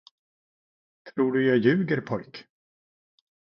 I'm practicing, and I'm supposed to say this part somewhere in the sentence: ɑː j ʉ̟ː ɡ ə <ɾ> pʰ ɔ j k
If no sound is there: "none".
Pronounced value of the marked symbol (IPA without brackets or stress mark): ɾ